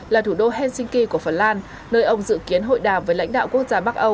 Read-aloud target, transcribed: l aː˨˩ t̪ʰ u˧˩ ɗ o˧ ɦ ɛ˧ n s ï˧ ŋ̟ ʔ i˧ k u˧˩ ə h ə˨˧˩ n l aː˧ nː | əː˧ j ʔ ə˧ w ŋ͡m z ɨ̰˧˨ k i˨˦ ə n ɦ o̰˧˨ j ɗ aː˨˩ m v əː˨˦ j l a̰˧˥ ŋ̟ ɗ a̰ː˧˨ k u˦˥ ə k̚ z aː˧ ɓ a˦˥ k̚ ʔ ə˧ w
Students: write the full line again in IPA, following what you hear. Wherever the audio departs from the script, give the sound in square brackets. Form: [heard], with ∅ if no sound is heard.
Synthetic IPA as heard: l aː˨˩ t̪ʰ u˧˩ ɗ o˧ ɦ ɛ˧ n s ï˧ ŋ̟ [k] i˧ k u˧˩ ə [f] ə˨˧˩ n l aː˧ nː | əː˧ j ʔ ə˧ w ŋ͡m z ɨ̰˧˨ k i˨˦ ə n ɦ o̰˧˨ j ɗ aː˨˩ m v əː˨˦ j l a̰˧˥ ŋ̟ ɗ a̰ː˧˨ k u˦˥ ə k̚ z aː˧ ɓ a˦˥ k̚ ʔ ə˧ w